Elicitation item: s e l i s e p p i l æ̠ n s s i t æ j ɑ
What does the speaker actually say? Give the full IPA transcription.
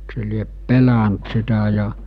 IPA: s e l i e p p e l æ̠ n t s i t æ j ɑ